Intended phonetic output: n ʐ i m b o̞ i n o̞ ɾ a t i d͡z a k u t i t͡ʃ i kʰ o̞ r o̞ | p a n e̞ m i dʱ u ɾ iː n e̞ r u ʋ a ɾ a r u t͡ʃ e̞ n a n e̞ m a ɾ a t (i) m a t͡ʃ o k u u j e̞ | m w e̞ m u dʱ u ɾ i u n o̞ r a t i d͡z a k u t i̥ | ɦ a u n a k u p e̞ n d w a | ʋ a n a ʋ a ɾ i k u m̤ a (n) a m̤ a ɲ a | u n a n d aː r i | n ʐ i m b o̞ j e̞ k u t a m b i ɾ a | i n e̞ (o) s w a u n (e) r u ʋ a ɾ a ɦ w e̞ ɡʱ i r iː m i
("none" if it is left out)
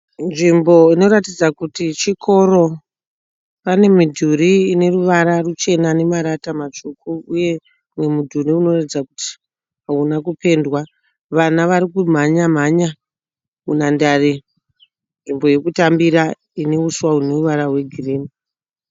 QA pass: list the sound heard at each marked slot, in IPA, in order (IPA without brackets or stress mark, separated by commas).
a, ɲ, u, e